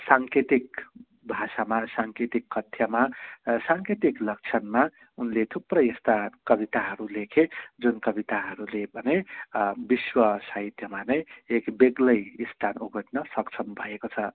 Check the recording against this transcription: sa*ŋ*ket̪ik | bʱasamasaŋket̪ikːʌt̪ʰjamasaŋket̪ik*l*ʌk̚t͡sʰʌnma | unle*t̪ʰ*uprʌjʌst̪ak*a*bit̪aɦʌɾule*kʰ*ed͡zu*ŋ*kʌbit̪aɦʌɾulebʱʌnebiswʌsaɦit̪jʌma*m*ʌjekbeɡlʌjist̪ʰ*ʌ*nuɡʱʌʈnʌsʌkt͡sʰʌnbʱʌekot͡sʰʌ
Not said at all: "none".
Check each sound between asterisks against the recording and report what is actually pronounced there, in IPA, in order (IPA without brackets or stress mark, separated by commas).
ŋ, l, t̪ʰ, ʌ, kʰ, n, n, a